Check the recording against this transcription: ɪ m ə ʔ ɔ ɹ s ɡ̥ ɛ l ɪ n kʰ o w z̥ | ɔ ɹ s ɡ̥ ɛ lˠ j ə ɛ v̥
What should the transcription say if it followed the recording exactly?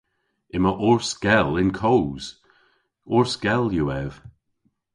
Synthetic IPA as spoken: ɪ m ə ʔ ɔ ɹ s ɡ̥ ɛ l ɪ n kʰ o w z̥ | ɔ ɹ s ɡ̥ ɛ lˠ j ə ɛ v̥